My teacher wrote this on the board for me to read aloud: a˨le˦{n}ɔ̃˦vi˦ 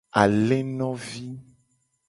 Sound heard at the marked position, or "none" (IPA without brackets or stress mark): n